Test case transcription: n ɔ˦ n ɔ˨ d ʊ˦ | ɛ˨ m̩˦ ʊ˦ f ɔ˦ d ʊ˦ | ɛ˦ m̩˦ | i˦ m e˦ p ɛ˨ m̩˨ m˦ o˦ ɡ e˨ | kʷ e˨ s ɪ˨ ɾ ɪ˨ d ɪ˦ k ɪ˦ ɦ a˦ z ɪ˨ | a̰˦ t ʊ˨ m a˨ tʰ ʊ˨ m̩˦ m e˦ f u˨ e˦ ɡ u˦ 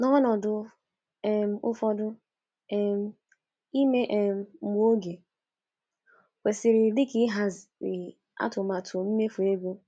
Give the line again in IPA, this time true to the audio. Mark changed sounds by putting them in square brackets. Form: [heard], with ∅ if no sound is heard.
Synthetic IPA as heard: n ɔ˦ n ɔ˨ d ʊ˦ | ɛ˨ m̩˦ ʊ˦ f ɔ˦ d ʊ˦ | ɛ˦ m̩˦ | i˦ m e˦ [ʔ] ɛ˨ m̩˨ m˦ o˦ ɡ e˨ | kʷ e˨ s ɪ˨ ɾ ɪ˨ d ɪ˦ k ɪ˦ ɦ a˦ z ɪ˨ | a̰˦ t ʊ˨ m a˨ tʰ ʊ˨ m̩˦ m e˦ f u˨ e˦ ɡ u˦